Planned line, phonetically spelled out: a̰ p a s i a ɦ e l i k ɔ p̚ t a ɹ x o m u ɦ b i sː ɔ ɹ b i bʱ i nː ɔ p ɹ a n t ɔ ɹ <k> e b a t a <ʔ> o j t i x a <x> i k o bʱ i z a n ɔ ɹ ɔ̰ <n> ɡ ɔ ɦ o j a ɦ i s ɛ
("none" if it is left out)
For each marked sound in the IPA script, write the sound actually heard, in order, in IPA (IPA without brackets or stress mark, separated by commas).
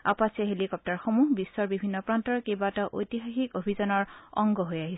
k, ʔ, x, ŋ